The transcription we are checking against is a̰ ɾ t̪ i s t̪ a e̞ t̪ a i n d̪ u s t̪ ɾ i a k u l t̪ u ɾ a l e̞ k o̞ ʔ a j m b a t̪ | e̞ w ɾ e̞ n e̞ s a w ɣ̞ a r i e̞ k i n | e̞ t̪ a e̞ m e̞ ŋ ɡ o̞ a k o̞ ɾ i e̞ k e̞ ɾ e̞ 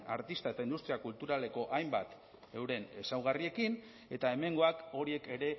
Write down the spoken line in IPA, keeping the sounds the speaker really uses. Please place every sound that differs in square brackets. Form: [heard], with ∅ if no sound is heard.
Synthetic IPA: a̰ ɾ t̪ i s t̪ a e̞ t̪ a i n d̪ u s t̪ ɾ i a k u l t̪ u ɾ a l e̞ k o̞ ʔ a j m b a t̪ | e̞ w ɾ e̞ n e̞ s a w ɣ̞ a r i e̞ k i n | e̞ t̪ a e̞ m e̞ ŋ ɡ o̞ a k o̞ ɾ i e̞ k e̞ ɾ e̞